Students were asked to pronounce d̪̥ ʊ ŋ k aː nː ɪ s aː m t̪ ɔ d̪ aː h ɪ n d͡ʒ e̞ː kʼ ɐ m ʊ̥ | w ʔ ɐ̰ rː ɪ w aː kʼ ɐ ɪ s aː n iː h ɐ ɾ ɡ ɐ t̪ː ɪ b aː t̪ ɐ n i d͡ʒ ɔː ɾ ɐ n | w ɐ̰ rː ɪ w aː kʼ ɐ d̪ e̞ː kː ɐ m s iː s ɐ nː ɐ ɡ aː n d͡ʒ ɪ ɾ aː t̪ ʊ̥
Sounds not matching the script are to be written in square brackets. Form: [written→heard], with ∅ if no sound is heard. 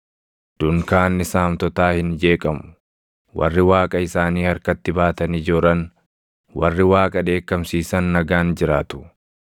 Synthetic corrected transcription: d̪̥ ʊ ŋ k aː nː ɪ s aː m t̪ ɔ [d̪→t̪] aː h ɪ n d͡ʒ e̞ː kʼ ɐ m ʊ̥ | w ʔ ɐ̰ rː ɪ w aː kʼ ɐ ɪ s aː n iː h ɐ ɾ [ɡ→k] ɐ t̪ː ɪ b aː t̪ ɐ n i d͡ʒ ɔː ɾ ɐ n | w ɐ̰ rː ɪ w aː kʼ ɐ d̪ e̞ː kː ɐ m s iː s ɐ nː ɐ ɡ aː n d͡ʒ ɪ ɾ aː t̪ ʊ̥